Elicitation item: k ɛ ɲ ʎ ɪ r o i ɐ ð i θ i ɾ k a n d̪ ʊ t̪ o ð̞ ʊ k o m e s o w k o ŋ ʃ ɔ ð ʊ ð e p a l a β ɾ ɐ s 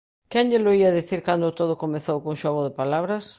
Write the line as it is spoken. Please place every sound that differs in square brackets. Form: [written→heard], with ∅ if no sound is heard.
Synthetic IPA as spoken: k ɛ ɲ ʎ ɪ [r→l] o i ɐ ð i θ i ɾ k a n d̪ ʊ t̪ o ð̞ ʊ k o m e [s→θ] o w k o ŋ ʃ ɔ [ð→ɣ] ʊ ð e p a l a β ɾ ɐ s